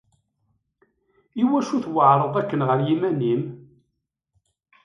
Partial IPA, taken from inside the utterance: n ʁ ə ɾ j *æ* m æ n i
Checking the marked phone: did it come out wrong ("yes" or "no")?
yes